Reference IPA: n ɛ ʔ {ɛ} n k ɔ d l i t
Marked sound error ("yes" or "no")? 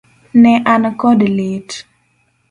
yes